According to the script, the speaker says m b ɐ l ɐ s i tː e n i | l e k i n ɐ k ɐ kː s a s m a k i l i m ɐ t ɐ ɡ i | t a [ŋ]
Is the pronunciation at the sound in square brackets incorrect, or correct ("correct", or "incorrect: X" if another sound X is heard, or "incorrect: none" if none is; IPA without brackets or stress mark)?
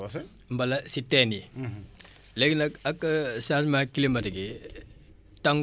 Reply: correct